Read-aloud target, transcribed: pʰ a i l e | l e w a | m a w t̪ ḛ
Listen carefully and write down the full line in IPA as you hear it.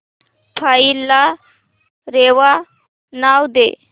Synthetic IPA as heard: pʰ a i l a | ɾ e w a | n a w d̪ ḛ